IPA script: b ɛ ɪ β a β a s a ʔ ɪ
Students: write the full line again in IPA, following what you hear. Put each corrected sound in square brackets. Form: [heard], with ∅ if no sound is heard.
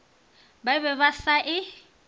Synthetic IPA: b [a] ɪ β [ɛ] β a s a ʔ ɪ